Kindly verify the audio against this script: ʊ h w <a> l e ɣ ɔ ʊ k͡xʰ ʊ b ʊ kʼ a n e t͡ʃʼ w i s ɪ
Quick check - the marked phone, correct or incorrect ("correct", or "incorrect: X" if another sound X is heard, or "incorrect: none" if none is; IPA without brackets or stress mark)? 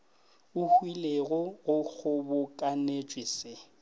incorrect: i